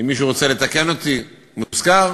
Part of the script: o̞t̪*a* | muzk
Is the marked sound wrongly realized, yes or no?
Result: yes